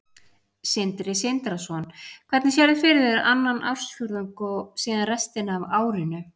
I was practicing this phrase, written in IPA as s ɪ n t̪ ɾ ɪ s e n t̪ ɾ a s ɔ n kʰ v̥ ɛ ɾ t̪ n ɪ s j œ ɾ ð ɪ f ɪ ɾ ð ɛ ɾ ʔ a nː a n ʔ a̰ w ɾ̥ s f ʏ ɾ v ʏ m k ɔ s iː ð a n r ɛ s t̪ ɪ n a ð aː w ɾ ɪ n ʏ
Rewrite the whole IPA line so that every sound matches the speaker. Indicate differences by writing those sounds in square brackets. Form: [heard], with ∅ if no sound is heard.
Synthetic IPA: s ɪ n t̪ ɾ ɪ s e n t̪ ɾ a s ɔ n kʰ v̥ ɛ ɾ t̪ n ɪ s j [ɛ] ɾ ð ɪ f ɪ ɾ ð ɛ ɾ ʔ a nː a n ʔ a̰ w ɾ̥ s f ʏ ɾ [ð] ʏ [ŋ] k ɔ s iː ð a n r ɛ s t̪ ɪ n a [v] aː w ɾ ɪ n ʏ